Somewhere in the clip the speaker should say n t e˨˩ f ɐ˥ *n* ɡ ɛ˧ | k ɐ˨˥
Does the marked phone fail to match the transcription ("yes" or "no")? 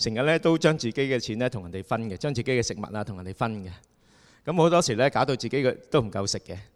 no